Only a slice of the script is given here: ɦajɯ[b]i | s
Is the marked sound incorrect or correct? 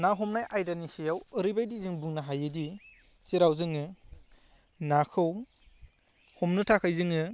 incorrect